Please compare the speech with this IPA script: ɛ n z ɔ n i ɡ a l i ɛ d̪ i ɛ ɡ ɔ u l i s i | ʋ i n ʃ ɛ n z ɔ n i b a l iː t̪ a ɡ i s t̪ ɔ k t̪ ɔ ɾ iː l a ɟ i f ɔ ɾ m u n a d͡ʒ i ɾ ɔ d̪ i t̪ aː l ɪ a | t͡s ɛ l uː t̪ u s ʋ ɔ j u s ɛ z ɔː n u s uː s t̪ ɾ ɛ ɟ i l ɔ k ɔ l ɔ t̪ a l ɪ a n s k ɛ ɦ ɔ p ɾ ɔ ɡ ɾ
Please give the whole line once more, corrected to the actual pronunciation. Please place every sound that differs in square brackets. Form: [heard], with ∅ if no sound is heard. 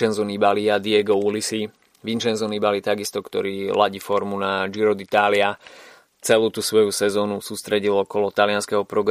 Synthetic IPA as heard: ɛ n z ɔ n i [b] a l i [a] d̪ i ɛ ɡ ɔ u l i s i | ʋ i n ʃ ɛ n z ɔ n i b a l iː t̪ a ɡ i s t̪ ɔ k t̪ ɔ ɾ iː l a ɟ i f ɔ ɾ m u n a d͡ʒ i ɾ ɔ d̪ i t̪ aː l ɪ a | t͡s ɛ l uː t̪ u s ʋ ɔ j u s ɛ z ɔː n u s uː s t̪ ɾ ɛ ɟ i l ɔ k ɔ l ɔ t̪ a l ɪ a n s k ɛ ɦ ɔ p ɾ ɔ ɡ ɾ